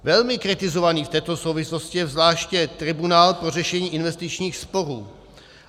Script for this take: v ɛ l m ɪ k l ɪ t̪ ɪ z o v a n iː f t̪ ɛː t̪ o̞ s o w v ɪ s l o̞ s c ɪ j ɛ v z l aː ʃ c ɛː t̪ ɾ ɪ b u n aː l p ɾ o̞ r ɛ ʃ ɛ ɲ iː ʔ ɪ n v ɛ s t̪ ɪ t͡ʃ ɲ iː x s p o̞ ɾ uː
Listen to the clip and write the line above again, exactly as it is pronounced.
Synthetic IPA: v ɛ l m ɪ k ɾ ɪ t̪ ɪ z o v a n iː f t̪ ɛː t̪ o̞ s o w v ɪ s l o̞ s c ɪ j ɛ v z l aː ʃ c ɛ t̪ ɾ ɪ b u n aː l p ɾ o̞ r ɛ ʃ ɛ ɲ iː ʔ ɪ n v ɛ s t̪ ɪ t͡ʃ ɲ iː x s p o̞ ɾ uː

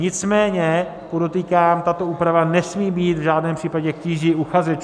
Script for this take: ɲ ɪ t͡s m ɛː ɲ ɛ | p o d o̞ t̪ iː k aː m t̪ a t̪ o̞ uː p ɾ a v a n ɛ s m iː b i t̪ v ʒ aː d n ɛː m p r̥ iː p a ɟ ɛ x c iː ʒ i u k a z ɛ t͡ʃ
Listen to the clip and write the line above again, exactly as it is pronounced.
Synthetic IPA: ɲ ɪ t͡s m ɛː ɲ ɛ | p o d o̞ t̪ iː k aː m t̪ a t̪ o̞ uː p ɾ a v a n ɛ s m iː b iː t̪ v ʒ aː d n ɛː m p r̥ iː p a ɟ ɛ k c iː ʒ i u x a z ɛ t͡ʃ

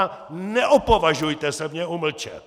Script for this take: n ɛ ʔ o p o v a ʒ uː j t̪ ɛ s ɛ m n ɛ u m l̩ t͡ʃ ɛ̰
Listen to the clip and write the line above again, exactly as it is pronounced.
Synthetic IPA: n ɛ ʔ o p o v a ʒ u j t̪ ɛ s ɛ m ɲ ɛ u m l̩ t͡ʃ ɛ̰

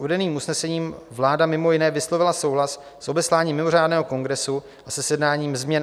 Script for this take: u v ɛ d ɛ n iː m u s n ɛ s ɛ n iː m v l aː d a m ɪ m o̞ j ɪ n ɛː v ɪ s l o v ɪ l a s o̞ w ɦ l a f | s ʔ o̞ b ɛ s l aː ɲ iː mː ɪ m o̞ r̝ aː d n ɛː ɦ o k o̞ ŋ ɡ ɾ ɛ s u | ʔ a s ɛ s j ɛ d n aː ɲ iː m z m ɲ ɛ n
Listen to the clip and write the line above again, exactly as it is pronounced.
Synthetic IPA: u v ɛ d ɛ n iː m u s n ɛ s ɛ ɲ iː m v l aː d a m ɪ m o̞ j ɪ n ɛː v ɪ s l o v ɪ l a s o̞ w ɦ l a s | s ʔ o̞ b ɛ s l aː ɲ iː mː ɪ m o̞ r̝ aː d n ɛː ɦ o k o̞ ŋ ɡ ɾ ɛ s u | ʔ a s ɛ s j ɛ d n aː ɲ iː m z m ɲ ɛ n

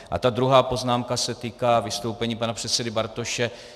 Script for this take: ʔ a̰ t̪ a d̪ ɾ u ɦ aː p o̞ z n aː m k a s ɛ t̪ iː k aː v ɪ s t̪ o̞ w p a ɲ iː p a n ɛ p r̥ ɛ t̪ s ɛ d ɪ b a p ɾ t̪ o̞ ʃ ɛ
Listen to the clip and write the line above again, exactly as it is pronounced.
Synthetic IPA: ʔ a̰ t̪ a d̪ ɾ u ɦ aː p o̞ z n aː m k a s ɛ t̪ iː k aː v ɪ s t̪ o̞ w p ɛ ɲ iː p a n a p r̥ ɛ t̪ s ɛ d ɪ b a ɾ t̪ o̞ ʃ ɛ

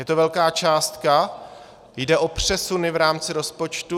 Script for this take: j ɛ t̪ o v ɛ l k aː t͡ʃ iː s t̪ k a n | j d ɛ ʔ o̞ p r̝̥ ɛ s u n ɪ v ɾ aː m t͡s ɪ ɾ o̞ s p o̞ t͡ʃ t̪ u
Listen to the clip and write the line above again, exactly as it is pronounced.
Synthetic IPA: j ɛ t̪ o v ɛ l k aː t͡ʃ aː s t̪ k a | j d ɛ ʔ o̞ p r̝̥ ɛ s u n ɪ v ɾ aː m t͡s ɪ ɾ o̞ s p o̞ t͡ʃ t̪ u

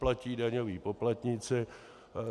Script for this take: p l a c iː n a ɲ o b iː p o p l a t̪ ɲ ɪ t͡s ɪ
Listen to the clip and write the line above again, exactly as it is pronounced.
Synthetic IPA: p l a c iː d a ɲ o v iː p o p l a t̪ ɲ ɪ t͡s ɪ

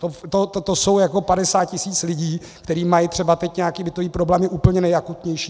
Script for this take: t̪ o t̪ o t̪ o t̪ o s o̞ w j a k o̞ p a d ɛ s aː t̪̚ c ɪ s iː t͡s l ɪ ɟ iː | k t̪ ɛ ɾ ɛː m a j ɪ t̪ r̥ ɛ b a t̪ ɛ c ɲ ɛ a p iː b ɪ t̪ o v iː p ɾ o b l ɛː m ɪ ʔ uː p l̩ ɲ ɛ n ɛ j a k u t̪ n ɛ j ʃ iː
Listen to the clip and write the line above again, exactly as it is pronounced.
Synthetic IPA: t̪ o t̪ o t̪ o t̪ o s o̞ w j a k o̞ p a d ɛ s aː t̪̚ c ɪ s iː t͡s l ɪ ɟ iː | k t̪ ɛ ɾ iː m a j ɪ t̪ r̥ ɛ b a t̪ ɛ c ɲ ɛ a k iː b ɪ t̪ o v iː p ɾ o b l ɛː m ɪ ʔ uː p l̩ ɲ ɛ n ɛ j a k u t̪ ɲ ɛ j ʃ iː

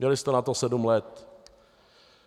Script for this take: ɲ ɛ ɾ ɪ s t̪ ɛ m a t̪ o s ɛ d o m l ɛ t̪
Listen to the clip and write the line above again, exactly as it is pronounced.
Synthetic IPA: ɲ ɛ l ɪ s t̪ ɛ n a t̪ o s ɛ d u m l ɛ t̪

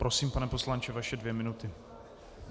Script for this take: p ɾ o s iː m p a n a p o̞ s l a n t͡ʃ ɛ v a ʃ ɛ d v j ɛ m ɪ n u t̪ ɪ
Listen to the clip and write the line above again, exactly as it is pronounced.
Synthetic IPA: p ɾ o s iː m p a n ɛ p o̞ s l a n t͡ʃ ɛ v a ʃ ɛ d v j ɛ m ɪ n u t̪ ɪ

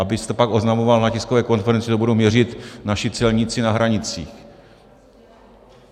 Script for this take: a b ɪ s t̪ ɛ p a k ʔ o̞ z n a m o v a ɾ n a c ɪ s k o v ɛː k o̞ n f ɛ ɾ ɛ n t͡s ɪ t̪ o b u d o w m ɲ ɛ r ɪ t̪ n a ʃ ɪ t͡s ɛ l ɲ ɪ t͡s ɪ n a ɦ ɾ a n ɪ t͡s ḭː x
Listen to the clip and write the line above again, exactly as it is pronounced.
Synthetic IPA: a b ɪ s t̪ ɛ p a k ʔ o̞ z n a m o v a l n a c ɪ s k o v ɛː k o̞ n f ɛ ɾ ɛ n t͡s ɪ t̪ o b u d o w m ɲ ɛ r ɪ t̪ n a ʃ ɪ t͡s ɛ l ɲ ɪ t͡s ɪ n a ɦ ɾ a ɲ ɪ t͡s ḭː x

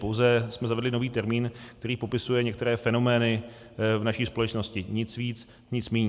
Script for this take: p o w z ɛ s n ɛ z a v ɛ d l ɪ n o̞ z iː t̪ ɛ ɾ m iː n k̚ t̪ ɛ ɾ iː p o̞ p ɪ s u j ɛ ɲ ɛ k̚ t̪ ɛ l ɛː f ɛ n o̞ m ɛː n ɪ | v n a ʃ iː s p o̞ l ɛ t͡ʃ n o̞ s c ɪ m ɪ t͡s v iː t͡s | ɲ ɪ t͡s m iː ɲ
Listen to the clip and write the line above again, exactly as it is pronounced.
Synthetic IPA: p o w z ɛ s m ɛ z a v ɛ d l ɪ n o̞ v iː t̪ ɛ ɾ m iː n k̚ t̪ ɛ ɾ iː p o̞ p ɪ s u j ɛ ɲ ɛ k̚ t̪ ɛ ɾ ɛː f ɛ n o̞ m ɛː n ɪ | v n a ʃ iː s p o̞ l ɛ t͡ʃ n o̞ s c ɪ ɲ ɪ t͡s v iː t͡s | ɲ ɪ t͡s m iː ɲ

